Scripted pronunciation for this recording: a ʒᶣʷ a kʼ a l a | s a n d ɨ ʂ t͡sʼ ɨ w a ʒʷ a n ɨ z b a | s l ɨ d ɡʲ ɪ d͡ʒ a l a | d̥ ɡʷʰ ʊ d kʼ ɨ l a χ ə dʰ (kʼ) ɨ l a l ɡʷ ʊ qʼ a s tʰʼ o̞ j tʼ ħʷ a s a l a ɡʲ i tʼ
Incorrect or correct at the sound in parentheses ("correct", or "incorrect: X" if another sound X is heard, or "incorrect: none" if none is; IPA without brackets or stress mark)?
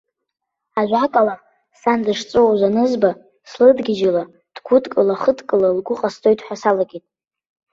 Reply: correct